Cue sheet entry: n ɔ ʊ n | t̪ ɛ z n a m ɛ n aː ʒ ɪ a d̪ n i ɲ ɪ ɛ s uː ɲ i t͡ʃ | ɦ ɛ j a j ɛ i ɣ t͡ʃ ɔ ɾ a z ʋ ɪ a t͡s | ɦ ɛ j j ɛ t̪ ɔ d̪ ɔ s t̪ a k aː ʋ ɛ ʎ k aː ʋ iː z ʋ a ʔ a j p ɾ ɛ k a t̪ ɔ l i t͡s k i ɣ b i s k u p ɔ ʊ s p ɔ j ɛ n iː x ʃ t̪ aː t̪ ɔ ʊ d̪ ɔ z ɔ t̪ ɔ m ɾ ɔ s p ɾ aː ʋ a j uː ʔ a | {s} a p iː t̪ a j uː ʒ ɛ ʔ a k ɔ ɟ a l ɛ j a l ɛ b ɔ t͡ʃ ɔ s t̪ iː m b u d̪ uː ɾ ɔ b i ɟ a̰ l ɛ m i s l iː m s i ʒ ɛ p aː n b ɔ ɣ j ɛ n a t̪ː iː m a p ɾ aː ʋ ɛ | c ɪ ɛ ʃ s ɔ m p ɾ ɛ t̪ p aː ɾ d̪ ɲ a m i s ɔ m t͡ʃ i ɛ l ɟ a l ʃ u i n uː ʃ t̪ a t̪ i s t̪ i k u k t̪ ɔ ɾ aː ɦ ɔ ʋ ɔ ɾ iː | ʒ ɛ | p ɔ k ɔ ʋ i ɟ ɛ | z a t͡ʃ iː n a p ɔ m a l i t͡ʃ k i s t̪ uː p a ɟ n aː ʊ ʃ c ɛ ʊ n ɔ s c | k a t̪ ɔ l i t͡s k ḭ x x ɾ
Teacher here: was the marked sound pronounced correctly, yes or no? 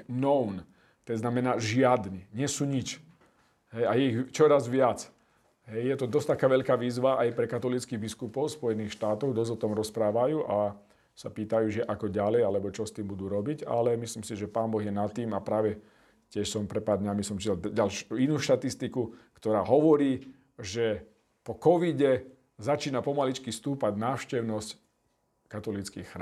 yes